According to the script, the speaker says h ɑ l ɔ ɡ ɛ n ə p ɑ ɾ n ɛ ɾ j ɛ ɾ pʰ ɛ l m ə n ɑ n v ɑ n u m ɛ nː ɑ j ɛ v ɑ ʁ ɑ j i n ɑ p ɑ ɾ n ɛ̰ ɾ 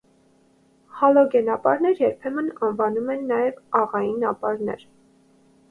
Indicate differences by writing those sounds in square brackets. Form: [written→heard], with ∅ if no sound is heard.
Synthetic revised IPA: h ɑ l ɔ ɡ ɛ n [ə→ɑ] p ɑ ɾ n ɛ ɾ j ɛ ɾ pʰ ɛ [l→∅] m ə n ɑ n v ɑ n u m ɛ nː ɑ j ɛ v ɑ ʁ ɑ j i n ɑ p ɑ ɾ n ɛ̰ ɾ